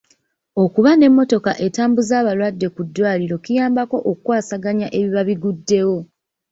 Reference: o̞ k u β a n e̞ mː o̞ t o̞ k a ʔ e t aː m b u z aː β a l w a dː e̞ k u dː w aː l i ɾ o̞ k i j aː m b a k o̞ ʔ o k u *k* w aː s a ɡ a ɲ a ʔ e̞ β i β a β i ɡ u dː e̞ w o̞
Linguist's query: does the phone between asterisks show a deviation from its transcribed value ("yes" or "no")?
no